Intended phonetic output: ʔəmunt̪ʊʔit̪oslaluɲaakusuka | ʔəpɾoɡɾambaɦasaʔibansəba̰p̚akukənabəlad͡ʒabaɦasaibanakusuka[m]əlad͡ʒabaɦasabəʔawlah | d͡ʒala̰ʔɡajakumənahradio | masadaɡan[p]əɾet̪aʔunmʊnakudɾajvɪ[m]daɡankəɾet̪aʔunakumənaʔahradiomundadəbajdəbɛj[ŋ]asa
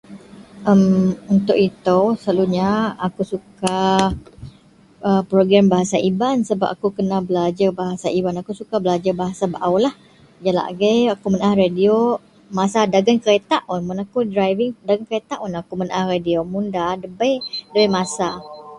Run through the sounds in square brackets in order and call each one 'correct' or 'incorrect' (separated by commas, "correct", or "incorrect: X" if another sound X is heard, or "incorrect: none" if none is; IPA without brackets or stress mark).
incorrect: b, incorrect: k, incorrect: ŋ, incorrect: m